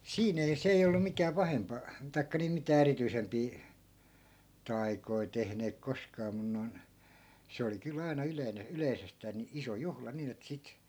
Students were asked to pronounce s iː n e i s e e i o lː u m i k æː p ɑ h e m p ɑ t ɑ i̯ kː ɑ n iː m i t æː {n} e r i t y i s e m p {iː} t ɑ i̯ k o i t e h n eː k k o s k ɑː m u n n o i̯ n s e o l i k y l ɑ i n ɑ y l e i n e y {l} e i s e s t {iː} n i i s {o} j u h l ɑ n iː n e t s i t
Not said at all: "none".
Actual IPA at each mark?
none, iː, l, æː, o

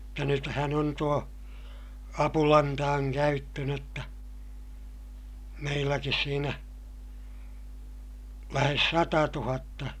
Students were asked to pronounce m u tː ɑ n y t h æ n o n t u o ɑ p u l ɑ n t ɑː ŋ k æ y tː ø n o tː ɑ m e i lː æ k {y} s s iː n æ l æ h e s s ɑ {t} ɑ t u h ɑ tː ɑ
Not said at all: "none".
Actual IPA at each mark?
i, t

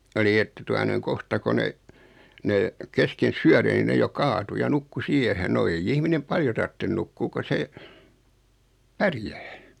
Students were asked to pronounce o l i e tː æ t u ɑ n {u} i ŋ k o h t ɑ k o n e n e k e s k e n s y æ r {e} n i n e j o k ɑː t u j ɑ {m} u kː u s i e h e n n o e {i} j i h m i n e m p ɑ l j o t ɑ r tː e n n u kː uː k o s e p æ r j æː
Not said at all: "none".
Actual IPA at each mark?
o, e, n, i

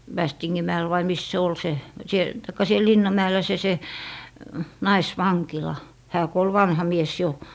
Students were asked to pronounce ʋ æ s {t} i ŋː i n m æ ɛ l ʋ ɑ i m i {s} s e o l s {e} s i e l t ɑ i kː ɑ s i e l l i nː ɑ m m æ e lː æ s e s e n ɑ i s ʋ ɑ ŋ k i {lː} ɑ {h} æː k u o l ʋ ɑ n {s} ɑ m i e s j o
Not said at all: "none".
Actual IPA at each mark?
t, s, e, l, h, h

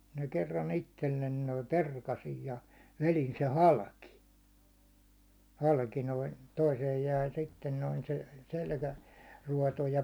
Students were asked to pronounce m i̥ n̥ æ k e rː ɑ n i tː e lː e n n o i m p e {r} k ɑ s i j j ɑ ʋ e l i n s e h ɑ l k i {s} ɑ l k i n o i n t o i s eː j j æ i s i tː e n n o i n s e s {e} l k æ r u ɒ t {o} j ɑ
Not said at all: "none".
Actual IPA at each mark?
r, h, e, o

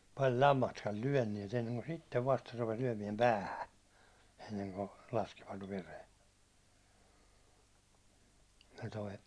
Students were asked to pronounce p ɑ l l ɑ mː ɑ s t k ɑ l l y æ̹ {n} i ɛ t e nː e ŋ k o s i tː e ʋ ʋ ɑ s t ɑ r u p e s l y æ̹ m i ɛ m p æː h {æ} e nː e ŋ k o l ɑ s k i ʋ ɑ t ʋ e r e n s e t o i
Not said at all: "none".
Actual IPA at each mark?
nː, æ

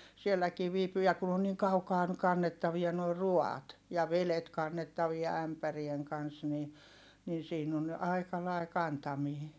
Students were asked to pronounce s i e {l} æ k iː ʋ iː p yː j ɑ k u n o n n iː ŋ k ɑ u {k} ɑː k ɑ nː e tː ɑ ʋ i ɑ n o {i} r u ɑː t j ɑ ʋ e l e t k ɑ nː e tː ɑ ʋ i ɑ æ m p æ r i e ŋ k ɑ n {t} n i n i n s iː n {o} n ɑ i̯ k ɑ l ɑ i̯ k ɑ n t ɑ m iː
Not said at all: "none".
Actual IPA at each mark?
lː, k, i, s, o

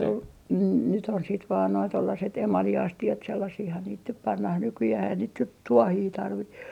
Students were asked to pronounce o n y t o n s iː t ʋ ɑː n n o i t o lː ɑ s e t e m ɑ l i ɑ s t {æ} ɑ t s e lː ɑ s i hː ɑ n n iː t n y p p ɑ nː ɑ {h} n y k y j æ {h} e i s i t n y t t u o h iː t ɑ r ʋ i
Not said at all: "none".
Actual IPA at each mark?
i, h, h

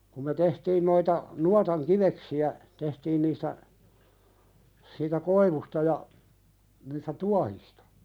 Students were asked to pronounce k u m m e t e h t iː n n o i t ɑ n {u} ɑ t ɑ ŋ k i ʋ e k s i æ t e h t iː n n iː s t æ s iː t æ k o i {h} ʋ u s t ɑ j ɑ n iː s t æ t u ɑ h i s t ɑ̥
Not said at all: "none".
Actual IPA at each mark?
u, none

